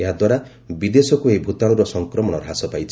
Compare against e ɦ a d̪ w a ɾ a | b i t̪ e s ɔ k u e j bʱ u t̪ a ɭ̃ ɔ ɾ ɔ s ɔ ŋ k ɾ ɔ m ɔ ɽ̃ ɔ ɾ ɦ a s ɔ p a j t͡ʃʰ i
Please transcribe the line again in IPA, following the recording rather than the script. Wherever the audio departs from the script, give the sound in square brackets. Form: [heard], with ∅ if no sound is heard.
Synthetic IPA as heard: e ɦ a d̪ w a ɾ a | b i [d̪] e s ɔ k u e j bʱ u t̪ a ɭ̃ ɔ ɾ ɔ s ɔ ŋ k ɾ ɔ m ɔ ɽ̃ ɔ ɾ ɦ a s ɔ p a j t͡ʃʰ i